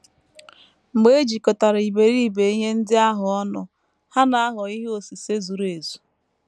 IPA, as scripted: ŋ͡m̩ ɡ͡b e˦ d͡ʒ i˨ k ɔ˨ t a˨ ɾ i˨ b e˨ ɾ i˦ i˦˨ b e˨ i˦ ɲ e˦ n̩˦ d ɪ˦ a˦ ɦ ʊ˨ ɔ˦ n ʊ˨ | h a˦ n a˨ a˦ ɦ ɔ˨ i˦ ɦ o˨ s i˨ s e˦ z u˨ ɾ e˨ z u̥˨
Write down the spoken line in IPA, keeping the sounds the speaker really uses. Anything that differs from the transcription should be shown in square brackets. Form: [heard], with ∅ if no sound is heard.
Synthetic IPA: ŋ͡m̩ ɡ͡b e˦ d͡ʒ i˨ k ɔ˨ t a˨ ɾ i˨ b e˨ ɾ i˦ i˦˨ b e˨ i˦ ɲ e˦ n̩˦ d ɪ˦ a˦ ɦ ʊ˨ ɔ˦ n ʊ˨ | h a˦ n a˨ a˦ ɦ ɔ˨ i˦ ɦ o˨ s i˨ s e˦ z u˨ ɾ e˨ z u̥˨

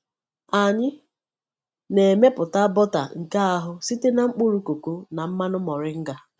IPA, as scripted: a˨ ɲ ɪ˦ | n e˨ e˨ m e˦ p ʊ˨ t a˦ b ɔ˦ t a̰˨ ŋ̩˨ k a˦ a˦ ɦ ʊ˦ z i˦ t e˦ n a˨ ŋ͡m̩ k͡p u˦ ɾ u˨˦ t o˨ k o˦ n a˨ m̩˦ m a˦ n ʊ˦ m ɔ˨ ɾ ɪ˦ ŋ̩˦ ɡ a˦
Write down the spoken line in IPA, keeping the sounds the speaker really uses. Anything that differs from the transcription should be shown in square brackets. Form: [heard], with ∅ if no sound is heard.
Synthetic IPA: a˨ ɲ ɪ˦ | n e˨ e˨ m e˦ p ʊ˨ t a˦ b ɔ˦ t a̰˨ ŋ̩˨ k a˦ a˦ ɦ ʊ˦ [s] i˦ t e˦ n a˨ ŋ͡m̩ k͡p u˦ ɾ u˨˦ [k] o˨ k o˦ n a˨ m̩˦ m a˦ n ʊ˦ m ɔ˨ ɾ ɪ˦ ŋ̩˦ ɡ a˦

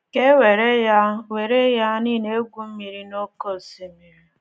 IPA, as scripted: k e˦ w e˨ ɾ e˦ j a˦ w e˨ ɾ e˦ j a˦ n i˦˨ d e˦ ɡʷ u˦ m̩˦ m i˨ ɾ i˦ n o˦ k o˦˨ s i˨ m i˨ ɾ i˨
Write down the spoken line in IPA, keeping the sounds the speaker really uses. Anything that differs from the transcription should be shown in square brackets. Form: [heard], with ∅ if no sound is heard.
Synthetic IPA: k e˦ w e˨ ɾ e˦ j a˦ w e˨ ɾ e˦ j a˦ n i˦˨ [n] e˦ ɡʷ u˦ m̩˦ m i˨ ɾ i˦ n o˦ k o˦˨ s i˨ m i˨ ɾ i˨

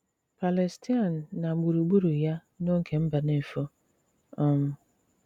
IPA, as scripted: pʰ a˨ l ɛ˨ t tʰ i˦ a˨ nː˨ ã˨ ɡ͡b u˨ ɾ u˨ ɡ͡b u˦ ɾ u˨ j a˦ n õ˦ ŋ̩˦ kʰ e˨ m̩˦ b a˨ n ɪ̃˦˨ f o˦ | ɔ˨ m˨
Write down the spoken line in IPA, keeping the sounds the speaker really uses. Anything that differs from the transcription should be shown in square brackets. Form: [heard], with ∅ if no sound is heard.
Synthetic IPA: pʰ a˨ l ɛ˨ [s] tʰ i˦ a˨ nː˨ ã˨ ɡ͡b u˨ ɾ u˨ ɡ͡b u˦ ɾ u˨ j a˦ n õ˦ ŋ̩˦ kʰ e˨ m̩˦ b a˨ n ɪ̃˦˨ f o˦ | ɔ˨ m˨

